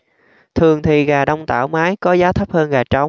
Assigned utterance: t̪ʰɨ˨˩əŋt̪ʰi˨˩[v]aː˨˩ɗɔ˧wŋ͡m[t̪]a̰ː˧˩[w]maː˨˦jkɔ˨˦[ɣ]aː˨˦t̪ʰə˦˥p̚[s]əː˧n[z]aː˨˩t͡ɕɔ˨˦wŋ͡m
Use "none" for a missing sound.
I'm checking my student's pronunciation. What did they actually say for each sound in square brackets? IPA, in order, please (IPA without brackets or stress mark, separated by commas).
ɣ, t̪, w, z, h, ɣ